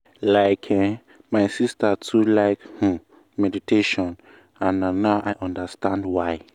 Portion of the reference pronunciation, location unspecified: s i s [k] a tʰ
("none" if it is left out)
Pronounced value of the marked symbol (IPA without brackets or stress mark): t